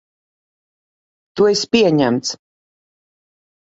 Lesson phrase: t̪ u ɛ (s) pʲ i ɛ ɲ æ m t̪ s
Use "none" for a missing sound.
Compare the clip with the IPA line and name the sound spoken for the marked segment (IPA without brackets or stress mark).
s